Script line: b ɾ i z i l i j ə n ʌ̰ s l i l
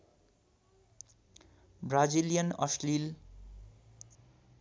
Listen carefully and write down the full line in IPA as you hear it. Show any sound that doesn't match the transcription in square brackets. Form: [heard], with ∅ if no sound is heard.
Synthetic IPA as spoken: b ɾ [a] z i l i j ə n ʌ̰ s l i l